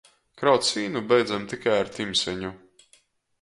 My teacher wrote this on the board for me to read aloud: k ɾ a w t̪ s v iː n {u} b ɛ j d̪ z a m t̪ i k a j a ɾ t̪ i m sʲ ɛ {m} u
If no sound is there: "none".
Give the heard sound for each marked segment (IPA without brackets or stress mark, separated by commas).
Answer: u, ɲ